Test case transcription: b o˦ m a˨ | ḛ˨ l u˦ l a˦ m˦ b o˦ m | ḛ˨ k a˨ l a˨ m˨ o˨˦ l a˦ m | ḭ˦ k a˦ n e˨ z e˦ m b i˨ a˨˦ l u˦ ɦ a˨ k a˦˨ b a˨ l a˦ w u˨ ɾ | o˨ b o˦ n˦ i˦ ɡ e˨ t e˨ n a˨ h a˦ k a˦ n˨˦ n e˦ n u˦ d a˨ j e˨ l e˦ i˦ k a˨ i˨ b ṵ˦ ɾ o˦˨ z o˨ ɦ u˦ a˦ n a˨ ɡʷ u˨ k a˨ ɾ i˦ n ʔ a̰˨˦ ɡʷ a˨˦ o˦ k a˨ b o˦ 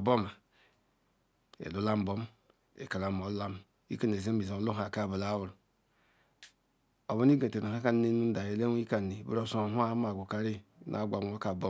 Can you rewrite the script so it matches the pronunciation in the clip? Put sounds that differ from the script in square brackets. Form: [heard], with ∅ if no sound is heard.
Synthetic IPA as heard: b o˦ m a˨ | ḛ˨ l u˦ l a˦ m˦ b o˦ m | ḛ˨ k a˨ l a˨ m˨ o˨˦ l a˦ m | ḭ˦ k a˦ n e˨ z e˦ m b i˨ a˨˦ l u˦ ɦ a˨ k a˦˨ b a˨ l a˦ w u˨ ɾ | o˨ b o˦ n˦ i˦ ɡ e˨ t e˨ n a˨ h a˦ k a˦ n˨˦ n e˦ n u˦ d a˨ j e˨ l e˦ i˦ k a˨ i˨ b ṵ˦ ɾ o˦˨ [s] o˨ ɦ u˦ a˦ [m] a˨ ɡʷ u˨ k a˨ ɾ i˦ n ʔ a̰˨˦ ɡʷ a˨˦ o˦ k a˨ b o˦